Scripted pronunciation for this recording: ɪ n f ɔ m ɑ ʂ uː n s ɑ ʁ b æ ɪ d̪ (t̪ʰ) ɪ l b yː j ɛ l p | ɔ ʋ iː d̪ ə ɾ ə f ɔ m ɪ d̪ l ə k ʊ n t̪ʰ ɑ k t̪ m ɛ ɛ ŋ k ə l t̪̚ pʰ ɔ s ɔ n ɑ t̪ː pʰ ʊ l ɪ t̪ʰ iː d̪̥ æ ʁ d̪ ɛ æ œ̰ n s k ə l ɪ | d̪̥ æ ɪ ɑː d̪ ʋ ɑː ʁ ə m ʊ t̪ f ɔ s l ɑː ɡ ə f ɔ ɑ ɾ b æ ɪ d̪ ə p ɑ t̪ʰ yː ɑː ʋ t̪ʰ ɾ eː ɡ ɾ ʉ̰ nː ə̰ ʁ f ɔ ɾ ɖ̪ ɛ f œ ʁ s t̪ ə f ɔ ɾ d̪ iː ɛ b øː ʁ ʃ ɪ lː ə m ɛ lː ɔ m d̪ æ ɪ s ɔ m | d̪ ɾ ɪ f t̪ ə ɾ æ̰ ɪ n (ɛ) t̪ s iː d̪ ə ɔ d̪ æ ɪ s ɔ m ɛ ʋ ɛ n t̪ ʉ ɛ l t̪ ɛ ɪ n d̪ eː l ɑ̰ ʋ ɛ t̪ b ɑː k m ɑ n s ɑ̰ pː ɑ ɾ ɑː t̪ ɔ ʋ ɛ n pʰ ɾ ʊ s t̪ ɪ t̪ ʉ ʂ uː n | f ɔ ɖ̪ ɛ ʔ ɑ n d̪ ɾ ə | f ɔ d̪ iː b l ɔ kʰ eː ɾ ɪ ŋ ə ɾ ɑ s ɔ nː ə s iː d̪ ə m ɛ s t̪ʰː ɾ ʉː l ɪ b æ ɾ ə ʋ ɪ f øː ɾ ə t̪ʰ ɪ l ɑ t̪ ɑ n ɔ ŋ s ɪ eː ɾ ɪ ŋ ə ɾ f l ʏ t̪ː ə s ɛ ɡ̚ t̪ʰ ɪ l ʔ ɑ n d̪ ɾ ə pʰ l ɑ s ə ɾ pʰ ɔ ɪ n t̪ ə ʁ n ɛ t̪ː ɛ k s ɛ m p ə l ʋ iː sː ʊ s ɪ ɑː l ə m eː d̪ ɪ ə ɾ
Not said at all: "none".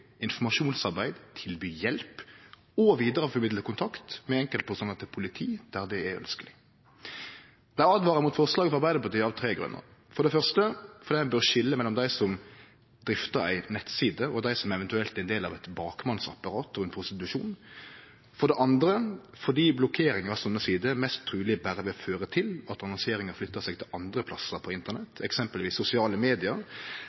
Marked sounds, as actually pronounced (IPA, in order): t̪ʰ, ɛ

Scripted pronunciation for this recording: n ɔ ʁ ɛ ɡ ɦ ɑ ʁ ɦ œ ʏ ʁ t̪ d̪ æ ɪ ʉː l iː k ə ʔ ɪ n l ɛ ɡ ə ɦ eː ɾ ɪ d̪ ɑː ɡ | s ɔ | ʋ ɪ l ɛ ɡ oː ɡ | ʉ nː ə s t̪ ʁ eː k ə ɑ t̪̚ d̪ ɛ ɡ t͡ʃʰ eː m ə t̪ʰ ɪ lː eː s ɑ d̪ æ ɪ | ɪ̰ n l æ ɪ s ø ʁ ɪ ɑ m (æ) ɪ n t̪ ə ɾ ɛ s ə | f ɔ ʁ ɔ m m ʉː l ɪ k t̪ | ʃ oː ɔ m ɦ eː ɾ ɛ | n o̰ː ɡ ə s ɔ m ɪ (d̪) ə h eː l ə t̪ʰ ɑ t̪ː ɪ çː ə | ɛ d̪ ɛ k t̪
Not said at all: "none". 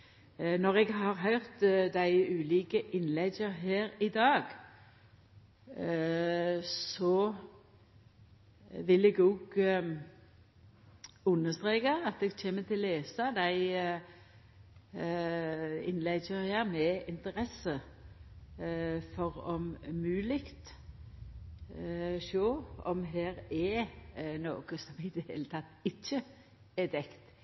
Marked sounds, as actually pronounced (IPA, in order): ɛ, d̪

